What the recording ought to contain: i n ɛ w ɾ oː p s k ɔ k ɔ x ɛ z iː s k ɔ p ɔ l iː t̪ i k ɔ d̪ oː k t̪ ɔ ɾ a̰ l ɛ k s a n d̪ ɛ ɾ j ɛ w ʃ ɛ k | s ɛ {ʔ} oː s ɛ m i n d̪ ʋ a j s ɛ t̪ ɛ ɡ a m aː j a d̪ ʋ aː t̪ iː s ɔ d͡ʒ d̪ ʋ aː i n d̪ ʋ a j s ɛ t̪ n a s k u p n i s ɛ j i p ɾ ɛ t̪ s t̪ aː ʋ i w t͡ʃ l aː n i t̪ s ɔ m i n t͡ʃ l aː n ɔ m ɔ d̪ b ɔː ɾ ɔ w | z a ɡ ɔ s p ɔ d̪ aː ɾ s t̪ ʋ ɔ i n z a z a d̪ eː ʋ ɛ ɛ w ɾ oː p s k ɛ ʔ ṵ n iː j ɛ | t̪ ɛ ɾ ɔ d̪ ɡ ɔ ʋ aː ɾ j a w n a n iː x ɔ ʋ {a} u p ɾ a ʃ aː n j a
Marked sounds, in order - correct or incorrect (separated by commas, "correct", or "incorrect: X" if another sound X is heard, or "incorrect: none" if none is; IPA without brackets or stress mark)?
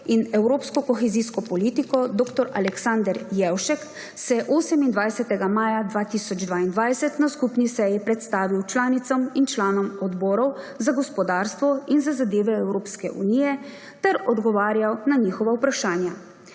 correct, correct